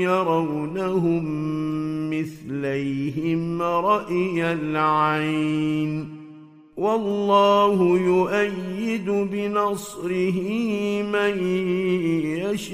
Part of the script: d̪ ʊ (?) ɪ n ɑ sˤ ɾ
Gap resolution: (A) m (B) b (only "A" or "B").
B